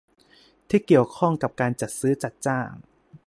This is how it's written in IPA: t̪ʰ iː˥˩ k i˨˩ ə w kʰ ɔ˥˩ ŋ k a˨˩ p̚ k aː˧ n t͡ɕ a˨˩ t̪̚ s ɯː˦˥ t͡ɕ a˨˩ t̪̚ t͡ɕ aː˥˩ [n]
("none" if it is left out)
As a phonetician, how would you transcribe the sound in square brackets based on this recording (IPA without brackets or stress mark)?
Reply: ŋ